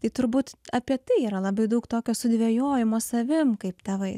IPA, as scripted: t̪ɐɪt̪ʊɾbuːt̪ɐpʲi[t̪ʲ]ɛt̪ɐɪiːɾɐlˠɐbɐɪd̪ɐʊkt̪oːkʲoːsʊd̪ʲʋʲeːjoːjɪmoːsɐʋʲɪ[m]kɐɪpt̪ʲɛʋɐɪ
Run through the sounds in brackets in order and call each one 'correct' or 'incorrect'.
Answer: incorrect: none, correct

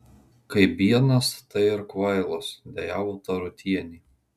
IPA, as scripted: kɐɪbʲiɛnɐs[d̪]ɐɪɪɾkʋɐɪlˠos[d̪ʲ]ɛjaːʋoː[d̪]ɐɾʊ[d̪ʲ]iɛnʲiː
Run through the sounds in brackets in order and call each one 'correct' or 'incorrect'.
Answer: incorrect: t̪, correct, incorrect: t̪, incorrect: t̪ʲ

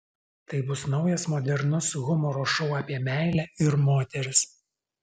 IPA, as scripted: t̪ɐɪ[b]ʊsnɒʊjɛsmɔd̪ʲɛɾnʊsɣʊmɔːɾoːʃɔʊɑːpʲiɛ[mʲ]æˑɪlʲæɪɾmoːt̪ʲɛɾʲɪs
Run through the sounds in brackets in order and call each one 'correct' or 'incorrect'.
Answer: correct, correct

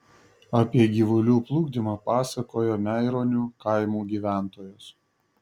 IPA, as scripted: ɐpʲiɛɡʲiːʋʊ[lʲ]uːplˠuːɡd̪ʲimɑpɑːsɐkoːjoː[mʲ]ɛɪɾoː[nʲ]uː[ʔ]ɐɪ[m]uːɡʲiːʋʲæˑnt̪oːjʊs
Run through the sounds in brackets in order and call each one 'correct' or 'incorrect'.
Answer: correct, correct, correct, incorrect: k, correct

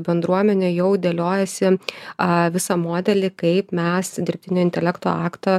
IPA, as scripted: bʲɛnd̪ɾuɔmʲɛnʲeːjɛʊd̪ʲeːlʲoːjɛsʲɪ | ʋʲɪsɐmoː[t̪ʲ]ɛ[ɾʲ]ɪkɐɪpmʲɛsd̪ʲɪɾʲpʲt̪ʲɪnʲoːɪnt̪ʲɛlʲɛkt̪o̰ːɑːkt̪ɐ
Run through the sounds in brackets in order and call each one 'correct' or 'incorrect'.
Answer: incorrect: d̪ʲ, incorrect: lʲ

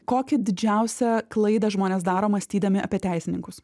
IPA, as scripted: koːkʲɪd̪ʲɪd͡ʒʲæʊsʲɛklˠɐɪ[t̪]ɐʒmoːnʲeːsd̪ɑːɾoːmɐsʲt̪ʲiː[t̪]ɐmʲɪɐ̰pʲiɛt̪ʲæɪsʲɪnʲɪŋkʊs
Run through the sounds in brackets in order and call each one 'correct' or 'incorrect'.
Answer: incorrect: d̪, incorrect: d̪

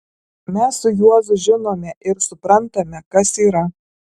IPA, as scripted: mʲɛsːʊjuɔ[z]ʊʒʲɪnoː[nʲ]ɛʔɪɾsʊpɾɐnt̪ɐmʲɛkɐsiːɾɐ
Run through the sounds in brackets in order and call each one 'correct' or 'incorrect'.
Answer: correct, incorrect: mʲ

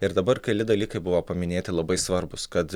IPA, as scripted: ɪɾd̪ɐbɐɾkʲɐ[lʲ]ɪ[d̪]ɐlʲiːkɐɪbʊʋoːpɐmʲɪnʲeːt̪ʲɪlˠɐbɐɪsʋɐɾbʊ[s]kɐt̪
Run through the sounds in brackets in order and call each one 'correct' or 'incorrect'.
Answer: correct, correct, correct

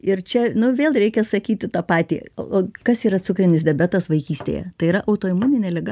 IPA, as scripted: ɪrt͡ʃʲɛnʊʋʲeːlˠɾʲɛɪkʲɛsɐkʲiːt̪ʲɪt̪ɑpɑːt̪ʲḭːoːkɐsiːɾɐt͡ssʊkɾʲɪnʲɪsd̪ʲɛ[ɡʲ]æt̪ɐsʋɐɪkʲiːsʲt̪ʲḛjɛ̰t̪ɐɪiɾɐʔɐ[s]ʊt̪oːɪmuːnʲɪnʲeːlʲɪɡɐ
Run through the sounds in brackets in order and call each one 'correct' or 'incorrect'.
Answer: incorrect: bʲ, incorrect: none

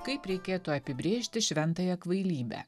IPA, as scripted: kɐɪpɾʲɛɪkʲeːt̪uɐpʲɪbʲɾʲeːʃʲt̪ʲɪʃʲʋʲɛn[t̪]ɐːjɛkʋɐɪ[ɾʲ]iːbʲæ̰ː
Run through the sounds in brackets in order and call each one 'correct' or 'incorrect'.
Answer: correct, incorrect: lʲ

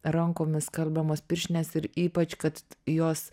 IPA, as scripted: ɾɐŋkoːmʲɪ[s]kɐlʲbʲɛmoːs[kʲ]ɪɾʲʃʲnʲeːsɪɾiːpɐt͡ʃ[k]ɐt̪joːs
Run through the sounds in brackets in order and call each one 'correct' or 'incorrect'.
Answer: correct, incorrect: pʲ, correct

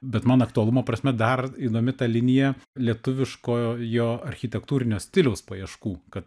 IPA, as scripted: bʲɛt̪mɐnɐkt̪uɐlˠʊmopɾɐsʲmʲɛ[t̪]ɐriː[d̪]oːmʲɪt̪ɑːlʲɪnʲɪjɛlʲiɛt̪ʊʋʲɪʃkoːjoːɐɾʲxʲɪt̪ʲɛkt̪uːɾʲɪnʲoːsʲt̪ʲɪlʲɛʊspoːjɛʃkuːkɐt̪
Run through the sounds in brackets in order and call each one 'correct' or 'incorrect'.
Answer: incorrect: d̪, correct

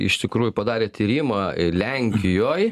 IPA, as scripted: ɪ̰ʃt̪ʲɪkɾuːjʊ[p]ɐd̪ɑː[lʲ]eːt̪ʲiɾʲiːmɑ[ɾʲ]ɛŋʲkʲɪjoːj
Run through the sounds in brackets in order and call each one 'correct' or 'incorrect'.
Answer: correct, incorrect: ɾʲ, incorrect: lʲ

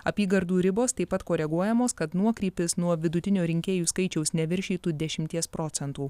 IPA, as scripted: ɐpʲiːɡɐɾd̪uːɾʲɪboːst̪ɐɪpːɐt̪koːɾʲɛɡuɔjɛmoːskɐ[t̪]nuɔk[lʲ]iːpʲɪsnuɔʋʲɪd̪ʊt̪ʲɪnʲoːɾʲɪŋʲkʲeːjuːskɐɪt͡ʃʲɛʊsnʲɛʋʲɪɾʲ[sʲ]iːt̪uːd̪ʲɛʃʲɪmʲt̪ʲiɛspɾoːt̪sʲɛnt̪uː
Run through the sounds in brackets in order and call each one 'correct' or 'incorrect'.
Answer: correct, incorrect: ɾʲ, incorrect: ʃʲ

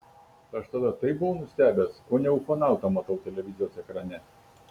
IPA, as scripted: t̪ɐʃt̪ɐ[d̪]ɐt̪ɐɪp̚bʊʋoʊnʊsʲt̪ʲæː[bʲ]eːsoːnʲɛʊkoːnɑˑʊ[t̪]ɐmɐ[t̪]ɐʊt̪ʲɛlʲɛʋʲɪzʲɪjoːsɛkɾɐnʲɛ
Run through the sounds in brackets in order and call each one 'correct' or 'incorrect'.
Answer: correct, correct, correct, correct

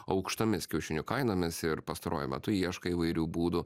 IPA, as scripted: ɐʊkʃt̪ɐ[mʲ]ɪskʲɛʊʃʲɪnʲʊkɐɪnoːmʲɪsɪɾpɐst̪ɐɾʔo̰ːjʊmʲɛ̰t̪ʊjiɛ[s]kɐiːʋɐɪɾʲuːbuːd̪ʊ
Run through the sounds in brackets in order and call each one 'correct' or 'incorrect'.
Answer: correct, incorrect: ʃ

